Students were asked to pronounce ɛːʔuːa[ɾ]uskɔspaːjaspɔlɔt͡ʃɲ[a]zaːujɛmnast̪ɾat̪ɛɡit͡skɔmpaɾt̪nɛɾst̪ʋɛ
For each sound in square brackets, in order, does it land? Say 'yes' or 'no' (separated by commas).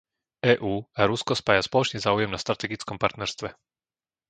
yes, no